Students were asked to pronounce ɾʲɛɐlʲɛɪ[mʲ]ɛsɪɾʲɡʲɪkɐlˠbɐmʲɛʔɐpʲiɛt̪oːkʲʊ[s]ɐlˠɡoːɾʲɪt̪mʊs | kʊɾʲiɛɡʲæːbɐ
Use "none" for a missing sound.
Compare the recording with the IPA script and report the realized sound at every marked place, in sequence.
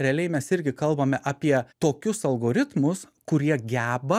mʲ, s

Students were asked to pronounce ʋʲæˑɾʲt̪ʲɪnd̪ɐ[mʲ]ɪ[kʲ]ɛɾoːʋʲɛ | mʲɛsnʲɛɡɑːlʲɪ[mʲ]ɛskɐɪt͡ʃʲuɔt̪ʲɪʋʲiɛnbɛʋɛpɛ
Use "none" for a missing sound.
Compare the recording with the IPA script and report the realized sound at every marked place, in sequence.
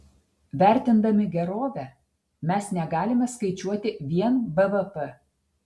mʲ, ɡʲ, mʲ

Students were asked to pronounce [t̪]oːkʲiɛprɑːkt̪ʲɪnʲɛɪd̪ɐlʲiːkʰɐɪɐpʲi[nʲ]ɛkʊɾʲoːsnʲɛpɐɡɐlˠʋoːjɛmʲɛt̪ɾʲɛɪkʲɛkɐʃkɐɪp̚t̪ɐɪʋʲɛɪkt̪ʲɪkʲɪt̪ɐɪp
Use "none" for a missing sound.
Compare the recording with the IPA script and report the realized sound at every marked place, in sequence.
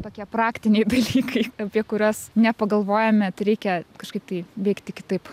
t̪, none

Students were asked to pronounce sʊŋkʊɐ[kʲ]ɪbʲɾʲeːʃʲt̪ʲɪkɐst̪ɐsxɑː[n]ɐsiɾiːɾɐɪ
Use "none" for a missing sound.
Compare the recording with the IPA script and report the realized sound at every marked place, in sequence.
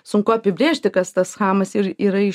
pʲ, m

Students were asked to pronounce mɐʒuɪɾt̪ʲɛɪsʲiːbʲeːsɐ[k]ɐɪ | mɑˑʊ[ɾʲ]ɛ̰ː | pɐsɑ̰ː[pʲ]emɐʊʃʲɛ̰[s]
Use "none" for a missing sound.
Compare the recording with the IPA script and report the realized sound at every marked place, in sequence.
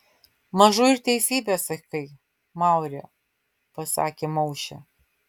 k, ɾʲ, kʲ, none

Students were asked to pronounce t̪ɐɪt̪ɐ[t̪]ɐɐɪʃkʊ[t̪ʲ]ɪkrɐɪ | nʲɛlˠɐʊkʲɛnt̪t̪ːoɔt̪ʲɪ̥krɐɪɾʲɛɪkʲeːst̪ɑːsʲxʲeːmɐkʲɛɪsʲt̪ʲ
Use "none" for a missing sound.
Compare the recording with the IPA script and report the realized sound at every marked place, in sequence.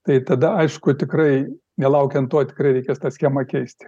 d̪, t̪ʲ

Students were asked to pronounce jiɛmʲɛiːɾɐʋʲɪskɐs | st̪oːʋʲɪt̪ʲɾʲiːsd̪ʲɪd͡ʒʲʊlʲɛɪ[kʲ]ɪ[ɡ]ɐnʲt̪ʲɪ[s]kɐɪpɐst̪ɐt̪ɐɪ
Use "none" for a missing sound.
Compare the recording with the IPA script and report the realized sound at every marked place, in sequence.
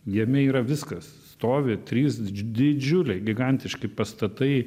ɡʲ, ɡ, ʃ

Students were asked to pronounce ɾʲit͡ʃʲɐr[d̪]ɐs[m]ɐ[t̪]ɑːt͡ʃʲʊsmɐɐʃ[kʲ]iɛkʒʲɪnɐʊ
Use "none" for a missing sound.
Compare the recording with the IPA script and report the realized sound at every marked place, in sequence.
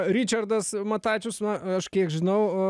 d̪, m, t̪, kʲ

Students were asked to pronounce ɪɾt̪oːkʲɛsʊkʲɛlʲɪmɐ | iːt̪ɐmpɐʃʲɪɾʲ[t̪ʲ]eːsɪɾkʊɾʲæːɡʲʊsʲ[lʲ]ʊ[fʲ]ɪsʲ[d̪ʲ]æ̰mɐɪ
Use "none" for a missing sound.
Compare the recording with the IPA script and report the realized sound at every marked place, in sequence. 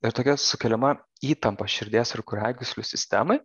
d̪ʲ, lʲ, sʲ, t̪ʲ

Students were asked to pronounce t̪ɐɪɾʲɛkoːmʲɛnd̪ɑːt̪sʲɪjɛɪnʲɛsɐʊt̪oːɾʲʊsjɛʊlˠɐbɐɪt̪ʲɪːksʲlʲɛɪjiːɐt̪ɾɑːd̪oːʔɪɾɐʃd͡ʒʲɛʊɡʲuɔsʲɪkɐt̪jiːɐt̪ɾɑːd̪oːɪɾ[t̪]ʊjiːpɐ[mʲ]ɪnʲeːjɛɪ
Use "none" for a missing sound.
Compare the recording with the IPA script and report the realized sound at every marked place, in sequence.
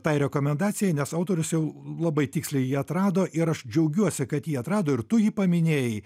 t̪, mʲ

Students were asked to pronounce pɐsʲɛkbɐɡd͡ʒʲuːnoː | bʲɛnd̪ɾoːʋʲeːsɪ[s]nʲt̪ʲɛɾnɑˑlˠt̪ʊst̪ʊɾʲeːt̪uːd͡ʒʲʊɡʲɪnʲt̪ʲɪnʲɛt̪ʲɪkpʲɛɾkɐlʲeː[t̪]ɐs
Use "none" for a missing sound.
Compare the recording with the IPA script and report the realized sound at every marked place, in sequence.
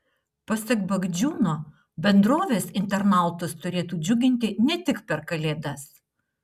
none, d̪

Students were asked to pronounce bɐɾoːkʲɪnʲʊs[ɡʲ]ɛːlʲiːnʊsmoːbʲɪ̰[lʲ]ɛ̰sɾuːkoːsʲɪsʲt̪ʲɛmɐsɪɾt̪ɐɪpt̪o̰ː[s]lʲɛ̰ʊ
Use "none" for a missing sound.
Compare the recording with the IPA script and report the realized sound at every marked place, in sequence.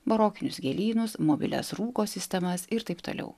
ɡʲ, lʲ, none

